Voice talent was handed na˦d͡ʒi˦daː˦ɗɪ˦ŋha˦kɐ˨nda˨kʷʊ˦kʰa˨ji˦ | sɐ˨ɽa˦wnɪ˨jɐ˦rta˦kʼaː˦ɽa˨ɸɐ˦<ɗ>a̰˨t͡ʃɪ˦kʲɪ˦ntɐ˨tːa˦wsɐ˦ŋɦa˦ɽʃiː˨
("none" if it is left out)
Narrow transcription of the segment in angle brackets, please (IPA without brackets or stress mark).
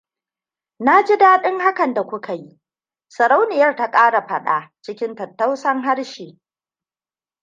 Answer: ɗ